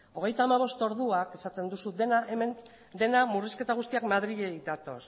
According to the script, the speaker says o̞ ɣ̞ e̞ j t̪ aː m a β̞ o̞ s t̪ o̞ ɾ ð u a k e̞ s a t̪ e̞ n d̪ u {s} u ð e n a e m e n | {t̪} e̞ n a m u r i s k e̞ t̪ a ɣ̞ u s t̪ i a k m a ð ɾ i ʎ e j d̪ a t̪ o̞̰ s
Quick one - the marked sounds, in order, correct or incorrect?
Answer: correct, incorrect

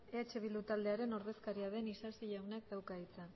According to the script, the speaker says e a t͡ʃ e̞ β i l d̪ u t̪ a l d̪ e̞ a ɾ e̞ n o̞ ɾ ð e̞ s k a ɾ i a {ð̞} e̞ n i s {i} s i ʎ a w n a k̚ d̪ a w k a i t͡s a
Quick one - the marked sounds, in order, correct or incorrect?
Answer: correct, incorrect

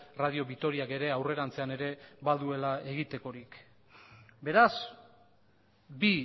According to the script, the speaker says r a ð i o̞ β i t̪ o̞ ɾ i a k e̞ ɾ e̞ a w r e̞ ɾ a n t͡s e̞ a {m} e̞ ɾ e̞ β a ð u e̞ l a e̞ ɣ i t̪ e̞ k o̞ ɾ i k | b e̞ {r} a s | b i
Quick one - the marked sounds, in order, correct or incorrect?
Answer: incorrect, incorrect

